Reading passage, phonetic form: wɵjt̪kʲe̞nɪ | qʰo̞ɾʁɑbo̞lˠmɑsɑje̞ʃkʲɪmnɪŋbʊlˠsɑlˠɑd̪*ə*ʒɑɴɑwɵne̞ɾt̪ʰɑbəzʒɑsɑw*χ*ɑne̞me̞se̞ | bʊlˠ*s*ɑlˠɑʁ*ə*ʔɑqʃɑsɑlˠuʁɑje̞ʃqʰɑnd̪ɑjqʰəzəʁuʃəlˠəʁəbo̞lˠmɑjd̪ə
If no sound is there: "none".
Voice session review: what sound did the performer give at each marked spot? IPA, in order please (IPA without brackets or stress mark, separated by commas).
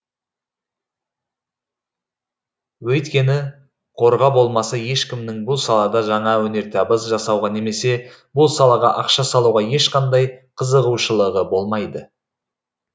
ɑ, ʁ, s, ɑ